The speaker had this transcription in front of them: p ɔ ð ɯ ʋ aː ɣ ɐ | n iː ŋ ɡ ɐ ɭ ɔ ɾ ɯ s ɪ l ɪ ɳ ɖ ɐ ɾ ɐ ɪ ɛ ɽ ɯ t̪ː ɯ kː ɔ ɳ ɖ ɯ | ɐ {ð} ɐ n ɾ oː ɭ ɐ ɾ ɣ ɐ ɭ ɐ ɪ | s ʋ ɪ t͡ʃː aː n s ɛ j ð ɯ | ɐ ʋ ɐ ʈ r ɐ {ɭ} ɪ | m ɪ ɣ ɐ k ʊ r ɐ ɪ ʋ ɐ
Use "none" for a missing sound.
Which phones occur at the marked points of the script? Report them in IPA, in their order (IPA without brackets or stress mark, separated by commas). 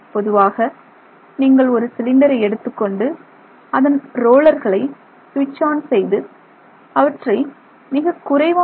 ð, none